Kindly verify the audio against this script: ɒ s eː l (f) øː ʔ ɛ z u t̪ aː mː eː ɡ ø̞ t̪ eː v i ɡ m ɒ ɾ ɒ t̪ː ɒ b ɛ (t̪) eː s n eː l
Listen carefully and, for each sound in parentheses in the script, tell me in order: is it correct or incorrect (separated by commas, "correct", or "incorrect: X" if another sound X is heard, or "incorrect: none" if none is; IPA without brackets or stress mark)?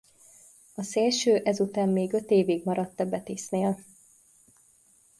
incorrect: ʃ, correct